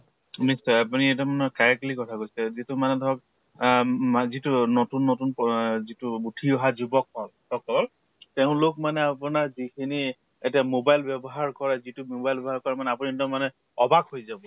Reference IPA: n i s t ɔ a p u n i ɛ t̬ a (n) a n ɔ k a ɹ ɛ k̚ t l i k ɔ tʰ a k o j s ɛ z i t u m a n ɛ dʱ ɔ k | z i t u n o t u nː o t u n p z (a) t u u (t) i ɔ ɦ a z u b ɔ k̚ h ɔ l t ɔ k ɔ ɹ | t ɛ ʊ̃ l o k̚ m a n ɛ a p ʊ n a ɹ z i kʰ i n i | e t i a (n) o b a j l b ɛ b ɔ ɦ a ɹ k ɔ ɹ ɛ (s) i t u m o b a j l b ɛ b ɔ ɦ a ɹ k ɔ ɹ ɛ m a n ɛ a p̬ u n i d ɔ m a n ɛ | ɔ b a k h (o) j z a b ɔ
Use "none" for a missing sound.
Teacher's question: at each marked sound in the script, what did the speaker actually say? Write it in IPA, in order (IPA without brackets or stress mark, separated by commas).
m, i, tʰ, m, z, o